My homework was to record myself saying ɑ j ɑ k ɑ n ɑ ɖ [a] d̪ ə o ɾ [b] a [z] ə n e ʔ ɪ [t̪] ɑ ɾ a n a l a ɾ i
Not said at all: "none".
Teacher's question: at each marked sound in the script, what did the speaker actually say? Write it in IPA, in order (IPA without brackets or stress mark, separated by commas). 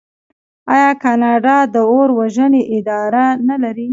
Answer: ɑ, w, ʒ, d̪